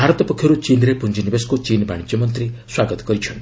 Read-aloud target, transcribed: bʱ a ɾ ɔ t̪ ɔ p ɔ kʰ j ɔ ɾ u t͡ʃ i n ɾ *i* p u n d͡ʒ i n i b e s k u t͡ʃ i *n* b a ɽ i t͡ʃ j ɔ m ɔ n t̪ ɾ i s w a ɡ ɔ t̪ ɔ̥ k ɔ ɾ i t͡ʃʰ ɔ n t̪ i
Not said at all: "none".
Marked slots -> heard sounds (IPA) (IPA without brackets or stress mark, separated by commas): e, n